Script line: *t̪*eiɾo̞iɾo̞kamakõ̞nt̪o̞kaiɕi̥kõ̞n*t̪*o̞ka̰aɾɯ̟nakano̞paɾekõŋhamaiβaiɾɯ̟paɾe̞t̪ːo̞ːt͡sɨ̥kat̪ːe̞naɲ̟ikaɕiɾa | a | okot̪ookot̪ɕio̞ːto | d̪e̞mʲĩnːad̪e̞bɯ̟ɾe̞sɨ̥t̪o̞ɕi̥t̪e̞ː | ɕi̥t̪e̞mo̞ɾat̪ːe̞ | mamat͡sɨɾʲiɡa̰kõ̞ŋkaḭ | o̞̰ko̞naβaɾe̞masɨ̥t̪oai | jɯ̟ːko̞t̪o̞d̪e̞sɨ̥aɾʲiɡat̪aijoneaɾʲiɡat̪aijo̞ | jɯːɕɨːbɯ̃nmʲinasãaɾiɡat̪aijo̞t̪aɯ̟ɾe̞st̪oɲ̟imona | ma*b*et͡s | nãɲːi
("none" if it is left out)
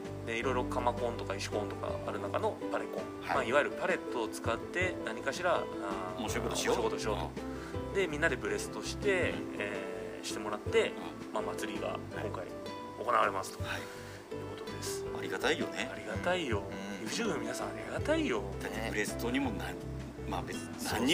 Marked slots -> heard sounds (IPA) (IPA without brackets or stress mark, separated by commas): d̪, t̪, b